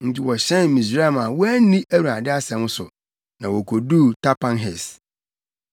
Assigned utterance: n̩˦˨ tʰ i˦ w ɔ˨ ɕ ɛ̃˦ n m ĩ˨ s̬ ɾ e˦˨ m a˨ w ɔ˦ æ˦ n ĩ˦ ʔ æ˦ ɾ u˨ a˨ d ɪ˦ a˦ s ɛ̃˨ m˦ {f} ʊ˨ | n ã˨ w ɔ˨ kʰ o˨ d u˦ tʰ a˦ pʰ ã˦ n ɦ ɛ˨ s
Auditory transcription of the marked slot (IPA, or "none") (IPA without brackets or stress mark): s